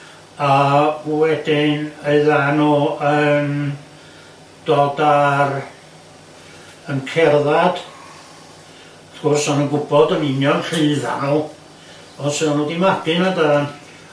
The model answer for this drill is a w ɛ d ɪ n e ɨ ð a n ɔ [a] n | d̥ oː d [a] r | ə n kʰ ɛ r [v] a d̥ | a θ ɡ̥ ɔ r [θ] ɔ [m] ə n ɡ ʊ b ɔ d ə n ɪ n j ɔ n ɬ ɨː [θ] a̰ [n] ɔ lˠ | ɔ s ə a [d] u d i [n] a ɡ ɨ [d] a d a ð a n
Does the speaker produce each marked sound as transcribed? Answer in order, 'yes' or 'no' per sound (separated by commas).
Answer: no, yes, no, no, no, no, yes, no, no, no